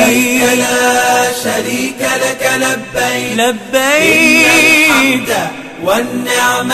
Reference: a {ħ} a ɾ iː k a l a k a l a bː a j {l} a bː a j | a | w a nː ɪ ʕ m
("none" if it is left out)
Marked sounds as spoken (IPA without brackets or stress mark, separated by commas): ʃ, l